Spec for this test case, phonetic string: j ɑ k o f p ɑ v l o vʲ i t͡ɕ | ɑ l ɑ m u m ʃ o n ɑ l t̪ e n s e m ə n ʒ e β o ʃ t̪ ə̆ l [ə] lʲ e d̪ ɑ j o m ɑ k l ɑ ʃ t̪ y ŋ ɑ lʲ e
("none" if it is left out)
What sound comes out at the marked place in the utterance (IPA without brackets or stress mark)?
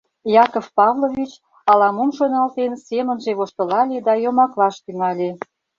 ɑ